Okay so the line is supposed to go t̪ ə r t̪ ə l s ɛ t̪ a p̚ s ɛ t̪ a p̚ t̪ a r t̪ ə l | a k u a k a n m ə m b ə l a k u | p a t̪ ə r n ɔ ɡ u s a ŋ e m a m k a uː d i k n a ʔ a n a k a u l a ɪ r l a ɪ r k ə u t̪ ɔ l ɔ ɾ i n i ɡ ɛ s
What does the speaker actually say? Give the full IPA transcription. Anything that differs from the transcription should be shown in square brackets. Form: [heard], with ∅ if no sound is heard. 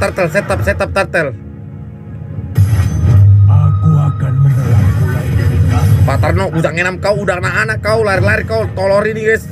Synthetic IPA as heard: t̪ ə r t̪ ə l s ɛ t̪ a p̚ s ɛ t̪ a p̚ t̪ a r t̪ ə l | a k u a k a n m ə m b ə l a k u | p a t̪ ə r n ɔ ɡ u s a ŋ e [n] a m k a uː d [a] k n a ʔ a n a k a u l a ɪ r l a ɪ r k [a] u t̪ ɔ l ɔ ɾ i n i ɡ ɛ s